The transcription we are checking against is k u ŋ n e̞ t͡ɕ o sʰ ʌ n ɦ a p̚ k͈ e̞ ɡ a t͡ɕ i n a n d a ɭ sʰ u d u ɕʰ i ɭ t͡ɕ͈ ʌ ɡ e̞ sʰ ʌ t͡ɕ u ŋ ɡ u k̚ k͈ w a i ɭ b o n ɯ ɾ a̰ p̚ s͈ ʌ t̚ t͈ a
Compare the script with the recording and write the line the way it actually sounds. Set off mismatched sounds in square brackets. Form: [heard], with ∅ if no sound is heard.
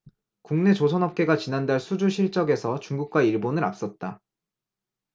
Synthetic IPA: k u ŋ n e̞ t͡ɕ o sʰ ʌ n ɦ [ʌ] p̚ k͈ e̞ ɡ a t͡ɕ i n a n d a ɭ sʰ u [d͡ʑ] u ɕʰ i ɭ t͡ɕ͈ ʌ ɡ e̞ sʰ ʌ t͡ɕ u ŋ ɡ u k̚ k͈ w a i ɭ b o n ɯ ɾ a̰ p̚ s͈ ʌ t̚ t͈ a